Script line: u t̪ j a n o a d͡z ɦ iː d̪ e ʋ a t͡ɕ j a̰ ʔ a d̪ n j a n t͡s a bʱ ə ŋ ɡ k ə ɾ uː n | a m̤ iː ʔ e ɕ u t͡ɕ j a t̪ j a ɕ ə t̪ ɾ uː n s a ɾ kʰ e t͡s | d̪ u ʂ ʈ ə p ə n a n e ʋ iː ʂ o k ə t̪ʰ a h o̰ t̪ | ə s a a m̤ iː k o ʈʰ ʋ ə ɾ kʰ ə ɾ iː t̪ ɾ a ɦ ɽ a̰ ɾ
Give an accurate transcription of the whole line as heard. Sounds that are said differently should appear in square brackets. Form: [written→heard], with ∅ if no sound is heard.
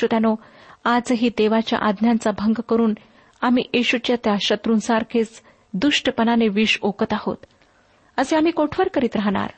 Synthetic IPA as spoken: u t̪ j a n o a d͡z ɦ iː d̪ e ʋ a t͡ɕ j a̰ ʔ a d̪ n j a n t͡s a bʱ ə ŋ ɡ k ə ɾ uː n | a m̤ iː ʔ e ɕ u t͡ɕ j a t̪ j a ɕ ə t̪ ɾ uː n s a ɾ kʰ e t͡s | d̪ u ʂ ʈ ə p ə n a n e ʋ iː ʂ o k ə [t̪ʰ→t̪] a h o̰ t̪ | ə s [a→e] a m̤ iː k o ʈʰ ʋ ə ɾ [kʰ→k] ə ɾ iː t̪ ɾ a ɦ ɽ a̰ ɾ